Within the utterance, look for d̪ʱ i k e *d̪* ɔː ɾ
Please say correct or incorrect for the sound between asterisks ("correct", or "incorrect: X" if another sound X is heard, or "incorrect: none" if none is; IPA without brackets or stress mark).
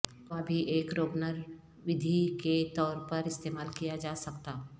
incorrect: t̪